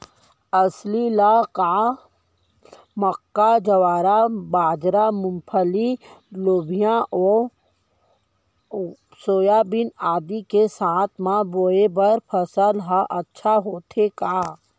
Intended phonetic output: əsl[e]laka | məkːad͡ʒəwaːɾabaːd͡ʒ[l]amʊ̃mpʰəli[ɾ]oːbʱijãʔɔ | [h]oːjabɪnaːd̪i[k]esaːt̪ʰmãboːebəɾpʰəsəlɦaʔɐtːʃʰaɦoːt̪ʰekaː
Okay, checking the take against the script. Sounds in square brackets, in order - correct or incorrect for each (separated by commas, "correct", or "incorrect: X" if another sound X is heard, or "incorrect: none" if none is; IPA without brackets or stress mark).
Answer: incorrect: i, incorrect: ɾ, incorrect: l, incorrect: s, correct